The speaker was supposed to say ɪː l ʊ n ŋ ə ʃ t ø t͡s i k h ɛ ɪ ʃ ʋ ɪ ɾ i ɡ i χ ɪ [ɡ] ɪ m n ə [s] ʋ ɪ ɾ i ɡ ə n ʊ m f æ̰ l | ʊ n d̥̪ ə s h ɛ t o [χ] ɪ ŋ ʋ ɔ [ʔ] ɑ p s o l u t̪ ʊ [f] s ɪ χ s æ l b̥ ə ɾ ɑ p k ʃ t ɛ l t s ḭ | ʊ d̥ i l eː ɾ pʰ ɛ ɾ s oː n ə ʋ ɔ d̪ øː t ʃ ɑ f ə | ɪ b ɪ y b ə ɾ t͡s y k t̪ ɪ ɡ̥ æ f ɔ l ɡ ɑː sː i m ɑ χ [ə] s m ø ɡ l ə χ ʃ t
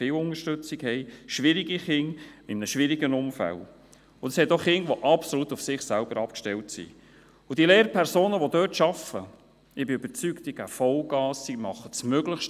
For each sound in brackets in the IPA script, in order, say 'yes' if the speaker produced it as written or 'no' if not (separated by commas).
no, no, yes, yes, yes, yes